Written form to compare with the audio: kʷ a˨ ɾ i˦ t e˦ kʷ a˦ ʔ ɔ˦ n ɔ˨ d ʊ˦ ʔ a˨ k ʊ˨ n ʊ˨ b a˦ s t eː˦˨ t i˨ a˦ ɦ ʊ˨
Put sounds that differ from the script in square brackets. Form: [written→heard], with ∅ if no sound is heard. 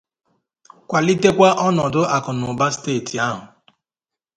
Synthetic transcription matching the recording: kʷ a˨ [ɾ→l] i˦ t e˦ kʷ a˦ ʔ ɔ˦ n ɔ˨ d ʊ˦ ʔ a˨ k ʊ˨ n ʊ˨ b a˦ s t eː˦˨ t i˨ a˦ ɦ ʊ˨